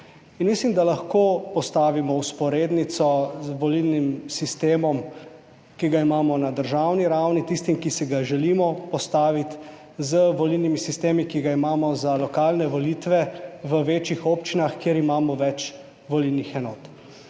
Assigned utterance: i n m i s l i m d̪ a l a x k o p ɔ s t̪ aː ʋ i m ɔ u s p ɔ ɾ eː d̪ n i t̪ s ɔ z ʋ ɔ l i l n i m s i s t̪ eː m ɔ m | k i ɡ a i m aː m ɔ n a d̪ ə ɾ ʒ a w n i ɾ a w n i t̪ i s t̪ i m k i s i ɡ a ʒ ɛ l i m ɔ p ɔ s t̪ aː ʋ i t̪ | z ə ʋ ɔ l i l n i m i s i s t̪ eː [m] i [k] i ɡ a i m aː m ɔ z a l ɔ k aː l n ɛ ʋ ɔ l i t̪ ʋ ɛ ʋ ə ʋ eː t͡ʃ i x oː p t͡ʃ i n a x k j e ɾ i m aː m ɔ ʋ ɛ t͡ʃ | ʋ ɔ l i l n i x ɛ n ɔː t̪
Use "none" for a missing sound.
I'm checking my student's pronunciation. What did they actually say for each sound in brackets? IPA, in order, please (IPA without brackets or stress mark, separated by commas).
m, k